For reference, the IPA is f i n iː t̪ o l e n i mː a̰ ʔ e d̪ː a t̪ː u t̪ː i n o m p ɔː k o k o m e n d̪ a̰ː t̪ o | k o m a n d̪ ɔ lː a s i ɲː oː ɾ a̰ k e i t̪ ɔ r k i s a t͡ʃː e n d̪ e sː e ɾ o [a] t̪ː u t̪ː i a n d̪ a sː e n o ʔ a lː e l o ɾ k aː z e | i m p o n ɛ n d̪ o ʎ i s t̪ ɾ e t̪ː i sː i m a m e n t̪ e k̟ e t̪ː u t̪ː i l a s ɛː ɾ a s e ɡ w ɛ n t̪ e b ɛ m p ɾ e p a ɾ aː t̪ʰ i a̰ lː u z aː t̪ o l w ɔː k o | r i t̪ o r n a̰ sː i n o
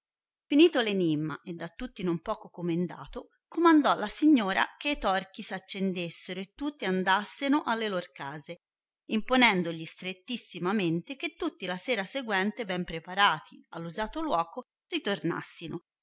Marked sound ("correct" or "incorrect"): incorrect